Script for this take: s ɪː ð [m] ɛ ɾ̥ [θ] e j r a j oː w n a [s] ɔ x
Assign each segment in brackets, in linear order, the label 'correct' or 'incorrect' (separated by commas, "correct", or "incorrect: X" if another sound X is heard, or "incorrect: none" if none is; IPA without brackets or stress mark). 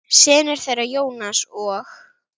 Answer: incorrect: n, correct, correct